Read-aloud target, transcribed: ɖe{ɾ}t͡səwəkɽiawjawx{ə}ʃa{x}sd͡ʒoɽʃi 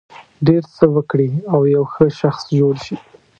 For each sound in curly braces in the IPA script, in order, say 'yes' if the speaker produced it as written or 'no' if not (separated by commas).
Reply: yes, yes, yes